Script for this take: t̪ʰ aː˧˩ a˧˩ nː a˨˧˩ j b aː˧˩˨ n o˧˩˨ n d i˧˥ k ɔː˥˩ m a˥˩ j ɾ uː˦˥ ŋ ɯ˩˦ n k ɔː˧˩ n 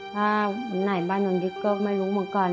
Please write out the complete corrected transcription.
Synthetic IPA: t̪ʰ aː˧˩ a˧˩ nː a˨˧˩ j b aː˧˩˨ n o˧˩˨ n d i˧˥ k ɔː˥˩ m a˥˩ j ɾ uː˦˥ m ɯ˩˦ n k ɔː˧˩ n